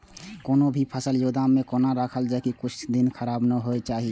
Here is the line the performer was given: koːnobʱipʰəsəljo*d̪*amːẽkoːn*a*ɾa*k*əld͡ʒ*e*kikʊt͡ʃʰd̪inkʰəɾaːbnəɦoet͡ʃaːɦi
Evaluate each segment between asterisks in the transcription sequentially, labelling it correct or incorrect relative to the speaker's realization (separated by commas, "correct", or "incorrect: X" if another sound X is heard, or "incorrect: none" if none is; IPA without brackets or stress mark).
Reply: correct, correct, incorrect: kʰ, incorrect: a